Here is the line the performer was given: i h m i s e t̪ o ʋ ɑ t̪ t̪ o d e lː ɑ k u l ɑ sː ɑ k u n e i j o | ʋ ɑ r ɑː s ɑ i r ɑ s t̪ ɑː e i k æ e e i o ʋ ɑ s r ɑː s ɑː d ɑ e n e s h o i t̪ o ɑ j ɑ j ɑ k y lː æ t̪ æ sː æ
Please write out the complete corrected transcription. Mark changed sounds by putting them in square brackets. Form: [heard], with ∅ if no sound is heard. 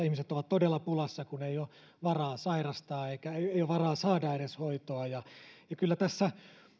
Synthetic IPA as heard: i h m i s e t̪ o ʋ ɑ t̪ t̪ o d e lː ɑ [p] u l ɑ sː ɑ k u n e i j o | ʋ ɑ r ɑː s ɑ i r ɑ s t̪ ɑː e i k æ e e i o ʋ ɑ [∅] r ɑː s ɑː d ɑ e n e s h o i t̪ o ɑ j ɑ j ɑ k y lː æ t̪ æ sː æ